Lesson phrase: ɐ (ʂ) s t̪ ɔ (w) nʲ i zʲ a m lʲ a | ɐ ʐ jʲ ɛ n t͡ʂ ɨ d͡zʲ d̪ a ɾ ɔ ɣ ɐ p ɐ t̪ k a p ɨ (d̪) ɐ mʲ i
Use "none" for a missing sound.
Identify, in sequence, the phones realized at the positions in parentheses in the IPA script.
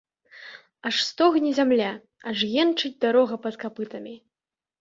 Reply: ʂ, ɣ, t̪

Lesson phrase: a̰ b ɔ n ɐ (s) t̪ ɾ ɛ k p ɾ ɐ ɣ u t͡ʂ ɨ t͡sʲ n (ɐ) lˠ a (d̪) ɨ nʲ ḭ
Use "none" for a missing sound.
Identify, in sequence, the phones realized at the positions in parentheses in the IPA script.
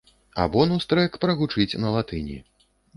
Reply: s, ɐ, t̪

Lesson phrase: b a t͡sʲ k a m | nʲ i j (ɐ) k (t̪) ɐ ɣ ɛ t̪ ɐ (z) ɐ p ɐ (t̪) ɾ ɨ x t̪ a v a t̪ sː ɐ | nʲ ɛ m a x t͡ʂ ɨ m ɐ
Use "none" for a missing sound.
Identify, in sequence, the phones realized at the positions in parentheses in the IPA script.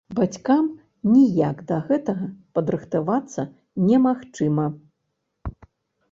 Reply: a, d̪, ɣ, d̪

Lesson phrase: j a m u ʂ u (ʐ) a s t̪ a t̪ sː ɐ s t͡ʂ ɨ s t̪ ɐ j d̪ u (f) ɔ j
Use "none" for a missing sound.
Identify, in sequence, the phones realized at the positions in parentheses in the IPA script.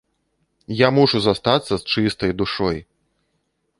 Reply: z, ʂ

